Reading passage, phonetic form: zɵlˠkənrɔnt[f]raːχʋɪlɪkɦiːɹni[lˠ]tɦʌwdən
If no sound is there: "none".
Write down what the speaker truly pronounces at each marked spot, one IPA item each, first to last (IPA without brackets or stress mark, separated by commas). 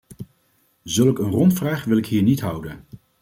f, none